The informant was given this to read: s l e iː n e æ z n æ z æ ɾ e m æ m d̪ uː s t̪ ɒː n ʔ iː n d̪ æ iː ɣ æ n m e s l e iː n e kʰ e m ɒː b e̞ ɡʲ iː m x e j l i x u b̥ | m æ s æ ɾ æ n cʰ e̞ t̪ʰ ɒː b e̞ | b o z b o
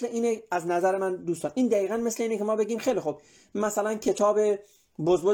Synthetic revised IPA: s l e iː n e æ z n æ z æ ɾ e m æ n d̪ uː s t̪ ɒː n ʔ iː n d̪ æ iː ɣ æ n m e s l e iː n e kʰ e m ɒː b e̞ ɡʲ iː m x e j l i x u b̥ | m æ s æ l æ n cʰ e̞ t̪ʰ ɒː b e̞ | b o z b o